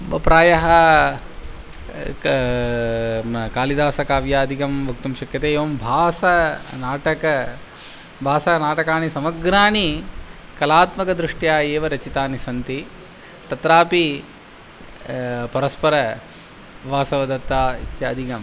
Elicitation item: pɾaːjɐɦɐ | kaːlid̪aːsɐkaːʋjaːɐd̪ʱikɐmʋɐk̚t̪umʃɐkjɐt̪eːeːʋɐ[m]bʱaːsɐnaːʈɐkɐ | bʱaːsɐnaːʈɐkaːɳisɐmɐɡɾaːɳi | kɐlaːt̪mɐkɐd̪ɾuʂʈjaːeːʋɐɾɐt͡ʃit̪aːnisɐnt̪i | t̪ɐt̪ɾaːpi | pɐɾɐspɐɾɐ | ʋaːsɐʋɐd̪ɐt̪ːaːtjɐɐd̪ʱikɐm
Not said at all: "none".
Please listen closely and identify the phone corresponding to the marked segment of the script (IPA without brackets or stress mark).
m